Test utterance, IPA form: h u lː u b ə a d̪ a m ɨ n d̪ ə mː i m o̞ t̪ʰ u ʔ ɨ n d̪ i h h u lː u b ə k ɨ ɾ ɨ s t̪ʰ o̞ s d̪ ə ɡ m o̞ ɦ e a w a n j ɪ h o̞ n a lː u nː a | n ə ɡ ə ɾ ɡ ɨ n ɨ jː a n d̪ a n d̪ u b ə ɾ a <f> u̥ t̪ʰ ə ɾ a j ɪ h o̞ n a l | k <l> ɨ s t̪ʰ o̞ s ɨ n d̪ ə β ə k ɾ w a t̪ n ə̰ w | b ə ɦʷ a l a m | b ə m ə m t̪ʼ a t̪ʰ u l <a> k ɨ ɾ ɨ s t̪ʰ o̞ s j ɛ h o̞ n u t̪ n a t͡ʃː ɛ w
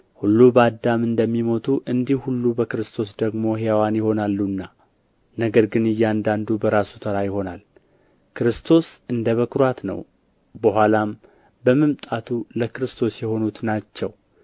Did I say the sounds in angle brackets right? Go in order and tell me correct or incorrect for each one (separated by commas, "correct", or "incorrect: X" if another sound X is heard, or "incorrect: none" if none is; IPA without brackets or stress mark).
incorrect: s, incorrect: ɾ, incorrect: ə